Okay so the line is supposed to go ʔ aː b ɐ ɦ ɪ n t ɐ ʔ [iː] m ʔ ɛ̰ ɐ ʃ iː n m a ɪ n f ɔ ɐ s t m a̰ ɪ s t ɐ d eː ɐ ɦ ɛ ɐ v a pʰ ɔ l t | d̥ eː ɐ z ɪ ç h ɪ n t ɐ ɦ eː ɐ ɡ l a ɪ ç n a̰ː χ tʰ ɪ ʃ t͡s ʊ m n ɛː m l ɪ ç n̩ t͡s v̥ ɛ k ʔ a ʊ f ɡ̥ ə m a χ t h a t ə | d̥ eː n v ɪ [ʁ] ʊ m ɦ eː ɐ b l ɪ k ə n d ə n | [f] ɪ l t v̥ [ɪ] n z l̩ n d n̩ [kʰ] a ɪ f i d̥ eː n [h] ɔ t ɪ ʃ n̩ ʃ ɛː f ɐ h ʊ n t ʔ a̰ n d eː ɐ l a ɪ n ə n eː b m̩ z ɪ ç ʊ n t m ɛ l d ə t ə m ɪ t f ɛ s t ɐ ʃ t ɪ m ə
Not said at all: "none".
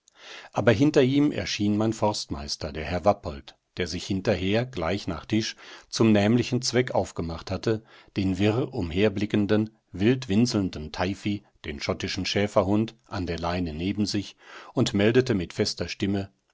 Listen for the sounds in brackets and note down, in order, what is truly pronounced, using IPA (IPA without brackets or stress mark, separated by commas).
iː, ʁ, v, ɪ, tʰ, ʃ